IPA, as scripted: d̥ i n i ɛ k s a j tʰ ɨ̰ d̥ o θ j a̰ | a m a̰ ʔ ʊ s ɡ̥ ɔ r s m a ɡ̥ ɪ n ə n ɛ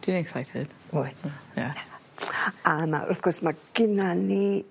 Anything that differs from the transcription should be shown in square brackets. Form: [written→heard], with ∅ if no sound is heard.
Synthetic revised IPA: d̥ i n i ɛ k s a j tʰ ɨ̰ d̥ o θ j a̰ | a m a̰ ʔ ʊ [s→θ] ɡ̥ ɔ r s m a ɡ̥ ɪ n [ə→a] n [ɛ→i]